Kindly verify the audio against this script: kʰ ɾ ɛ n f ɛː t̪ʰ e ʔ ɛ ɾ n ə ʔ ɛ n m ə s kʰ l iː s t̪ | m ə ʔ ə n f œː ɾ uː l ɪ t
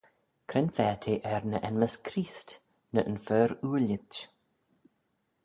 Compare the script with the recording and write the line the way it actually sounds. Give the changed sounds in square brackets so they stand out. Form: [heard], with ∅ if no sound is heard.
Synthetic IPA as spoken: kʰ ɾ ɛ n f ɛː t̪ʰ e ʔ ɛ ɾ n ə ʔ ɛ n m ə s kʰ [ɾ] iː s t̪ | [n] ə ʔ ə n f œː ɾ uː l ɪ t